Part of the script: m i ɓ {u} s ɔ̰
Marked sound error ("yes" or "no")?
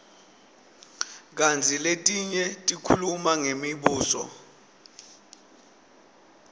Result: yes